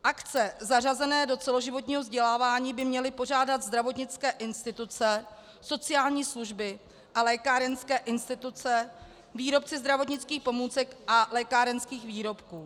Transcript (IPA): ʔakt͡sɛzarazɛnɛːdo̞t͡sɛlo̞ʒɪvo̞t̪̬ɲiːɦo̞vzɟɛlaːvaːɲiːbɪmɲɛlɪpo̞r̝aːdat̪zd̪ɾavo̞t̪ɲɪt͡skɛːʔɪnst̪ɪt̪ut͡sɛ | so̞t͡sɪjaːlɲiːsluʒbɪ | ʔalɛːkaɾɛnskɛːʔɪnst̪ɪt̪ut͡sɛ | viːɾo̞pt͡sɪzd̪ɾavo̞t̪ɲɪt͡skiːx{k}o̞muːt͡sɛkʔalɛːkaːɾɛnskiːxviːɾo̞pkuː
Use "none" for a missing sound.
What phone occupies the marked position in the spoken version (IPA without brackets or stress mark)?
p